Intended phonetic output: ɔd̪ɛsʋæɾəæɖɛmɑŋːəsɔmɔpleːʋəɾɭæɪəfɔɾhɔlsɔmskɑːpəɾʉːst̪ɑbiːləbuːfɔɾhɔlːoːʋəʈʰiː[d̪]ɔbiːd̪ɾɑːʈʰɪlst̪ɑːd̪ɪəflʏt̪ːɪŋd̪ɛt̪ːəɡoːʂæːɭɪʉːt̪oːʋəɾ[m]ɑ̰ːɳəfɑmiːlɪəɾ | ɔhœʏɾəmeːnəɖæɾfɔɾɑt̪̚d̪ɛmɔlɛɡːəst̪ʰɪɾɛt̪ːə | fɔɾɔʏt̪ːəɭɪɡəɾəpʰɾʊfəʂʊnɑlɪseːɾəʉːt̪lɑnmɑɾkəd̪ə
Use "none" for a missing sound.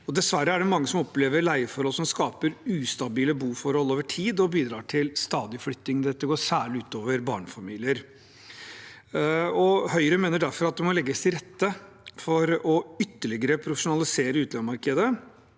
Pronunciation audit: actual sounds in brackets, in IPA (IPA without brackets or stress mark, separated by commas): d̪, b